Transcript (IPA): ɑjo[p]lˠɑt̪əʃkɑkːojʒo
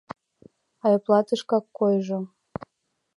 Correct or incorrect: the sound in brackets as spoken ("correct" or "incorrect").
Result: correct